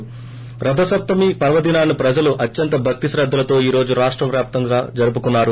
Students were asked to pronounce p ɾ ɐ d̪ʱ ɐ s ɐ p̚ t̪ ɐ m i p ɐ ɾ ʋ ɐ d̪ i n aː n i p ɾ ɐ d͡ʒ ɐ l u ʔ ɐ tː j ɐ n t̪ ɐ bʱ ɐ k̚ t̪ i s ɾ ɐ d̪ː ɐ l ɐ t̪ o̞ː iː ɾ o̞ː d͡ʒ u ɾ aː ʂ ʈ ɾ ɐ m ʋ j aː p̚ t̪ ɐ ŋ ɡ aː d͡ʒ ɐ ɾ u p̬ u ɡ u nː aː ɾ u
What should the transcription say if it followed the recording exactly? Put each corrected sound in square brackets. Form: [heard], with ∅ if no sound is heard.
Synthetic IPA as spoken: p ɾ ɐ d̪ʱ ɐ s ɐ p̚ t̪ ɐ m i p ɐ ɾ ʋ ɐ d̪ i n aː n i p ɾ ɐ d͡ʒ ɐ l u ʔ ɐ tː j ɐ n t̪ ɐ bʱ ɐ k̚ t̪ i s ɾ ɐ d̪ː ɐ l ɐ t̪ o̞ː iː ɾ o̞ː d͡ʒ u ɾ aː ʂ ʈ ɾ ɐ m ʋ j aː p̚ t̪ ɐ ŋ ɡ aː d͡ʒ ɐ ɾ u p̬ u [k] u nː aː ɾ u